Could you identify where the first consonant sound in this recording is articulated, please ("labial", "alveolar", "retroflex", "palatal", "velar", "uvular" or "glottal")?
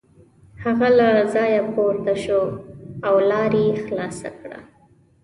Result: glottal